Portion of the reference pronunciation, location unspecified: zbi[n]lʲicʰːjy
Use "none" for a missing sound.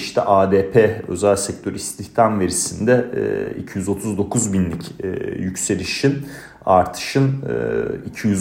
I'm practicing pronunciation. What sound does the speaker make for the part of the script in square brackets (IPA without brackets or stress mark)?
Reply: n